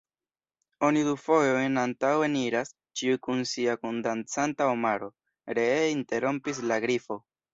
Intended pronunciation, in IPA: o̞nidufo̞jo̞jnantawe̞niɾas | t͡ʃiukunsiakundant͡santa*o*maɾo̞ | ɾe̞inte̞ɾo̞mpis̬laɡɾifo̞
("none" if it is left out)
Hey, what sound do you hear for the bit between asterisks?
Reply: o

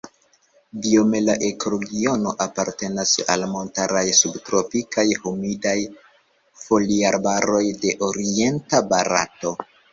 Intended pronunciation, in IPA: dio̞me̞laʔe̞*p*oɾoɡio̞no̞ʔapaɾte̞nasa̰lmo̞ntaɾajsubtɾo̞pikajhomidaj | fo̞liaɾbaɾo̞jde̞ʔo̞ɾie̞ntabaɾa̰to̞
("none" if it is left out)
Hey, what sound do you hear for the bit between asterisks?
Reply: k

